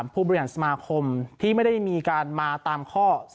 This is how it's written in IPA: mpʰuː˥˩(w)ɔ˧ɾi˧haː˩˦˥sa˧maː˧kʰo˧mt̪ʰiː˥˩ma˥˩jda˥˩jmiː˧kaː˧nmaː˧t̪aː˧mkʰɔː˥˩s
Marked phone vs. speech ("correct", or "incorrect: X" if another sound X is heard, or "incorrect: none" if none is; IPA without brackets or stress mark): incorrect: b